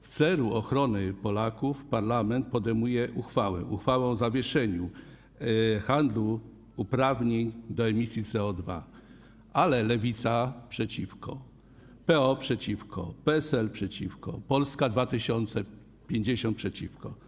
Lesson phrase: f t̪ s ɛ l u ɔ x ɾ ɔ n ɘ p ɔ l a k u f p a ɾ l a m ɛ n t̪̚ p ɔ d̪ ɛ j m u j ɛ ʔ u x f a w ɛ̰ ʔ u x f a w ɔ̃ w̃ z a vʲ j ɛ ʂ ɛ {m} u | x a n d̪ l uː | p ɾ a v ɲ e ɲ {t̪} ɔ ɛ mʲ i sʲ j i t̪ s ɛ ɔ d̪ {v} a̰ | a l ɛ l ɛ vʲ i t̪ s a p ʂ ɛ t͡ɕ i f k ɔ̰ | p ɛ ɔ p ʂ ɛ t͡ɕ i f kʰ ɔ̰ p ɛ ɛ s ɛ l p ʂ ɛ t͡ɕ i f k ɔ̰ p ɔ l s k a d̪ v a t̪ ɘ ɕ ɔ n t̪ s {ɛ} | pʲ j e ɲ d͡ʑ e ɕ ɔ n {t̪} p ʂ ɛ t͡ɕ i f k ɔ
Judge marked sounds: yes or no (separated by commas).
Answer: no, no, yes, yes, yes